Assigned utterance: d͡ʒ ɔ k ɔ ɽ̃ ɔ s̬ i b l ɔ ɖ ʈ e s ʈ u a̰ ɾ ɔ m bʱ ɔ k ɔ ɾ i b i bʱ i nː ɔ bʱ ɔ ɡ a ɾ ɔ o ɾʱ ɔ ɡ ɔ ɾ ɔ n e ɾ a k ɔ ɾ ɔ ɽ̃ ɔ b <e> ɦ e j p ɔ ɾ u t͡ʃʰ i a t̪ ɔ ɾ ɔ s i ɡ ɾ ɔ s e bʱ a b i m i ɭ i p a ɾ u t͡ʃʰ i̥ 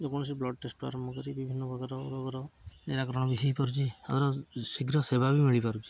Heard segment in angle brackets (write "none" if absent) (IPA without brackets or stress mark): i